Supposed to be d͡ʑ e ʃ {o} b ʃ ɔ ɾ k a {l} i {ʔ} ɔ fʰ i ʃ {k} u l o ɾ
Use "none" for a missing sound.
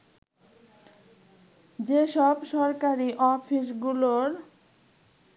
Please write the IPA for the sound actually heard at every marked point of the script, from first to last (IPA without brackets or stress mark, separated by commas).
ɔ, ɾ, ʔ, ɡ